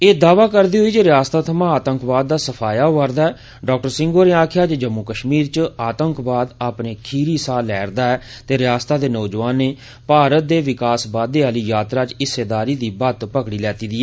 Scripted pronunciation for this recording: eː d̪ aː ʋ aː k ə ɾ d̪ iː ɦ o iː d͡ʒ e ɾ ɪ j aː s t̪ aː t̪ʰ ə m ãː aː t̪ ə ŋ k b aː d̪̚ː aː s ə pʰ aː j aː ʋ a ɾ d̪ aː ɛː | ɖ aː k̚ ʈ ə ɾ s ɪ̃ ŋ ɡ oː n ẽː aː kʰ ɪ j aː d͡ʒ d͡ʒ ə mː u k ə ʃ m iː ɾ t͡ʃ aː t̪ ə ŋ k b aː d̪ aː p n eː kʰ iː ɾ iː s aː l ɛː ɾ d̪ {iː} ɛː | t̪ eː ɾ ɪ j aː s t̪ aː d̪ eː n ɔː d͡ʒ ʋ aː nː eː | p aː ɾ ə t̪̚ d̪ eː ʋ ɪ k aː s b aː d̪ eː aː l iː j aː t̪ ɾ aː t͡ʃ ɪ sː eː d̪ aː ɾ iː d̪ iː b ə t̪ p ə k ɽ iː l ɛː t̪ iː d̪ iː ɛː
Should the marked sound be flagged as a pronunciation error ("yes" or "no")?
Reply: yes